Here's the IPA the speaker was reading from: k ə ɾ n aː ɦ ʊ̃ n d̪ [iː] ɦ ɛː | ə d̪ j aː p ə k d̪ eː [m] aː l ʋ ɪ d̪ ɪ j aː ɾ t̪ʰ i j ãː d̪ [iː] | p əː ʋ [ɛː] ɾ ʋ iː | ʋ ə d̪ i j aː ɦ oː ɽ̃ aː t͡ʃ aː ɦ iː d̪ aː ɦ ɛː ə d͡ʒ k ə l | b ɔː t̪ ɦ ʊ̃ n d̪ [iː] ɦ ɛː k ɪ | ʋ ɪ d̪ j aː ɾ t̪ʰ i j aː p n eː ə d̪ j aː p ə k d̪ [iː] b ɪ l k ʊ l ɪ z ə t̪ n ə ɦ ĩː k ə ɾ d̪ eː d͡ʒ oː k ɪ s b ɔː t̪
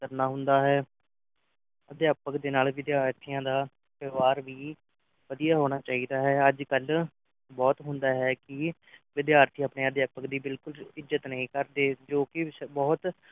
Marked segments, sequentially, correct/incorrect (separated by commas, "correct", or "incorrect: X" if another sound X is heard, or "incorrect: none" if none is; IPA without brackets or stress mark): incorrect: aː, incorrect: n, incorrect: aː, incorrect: aː, incorrect: aː, correct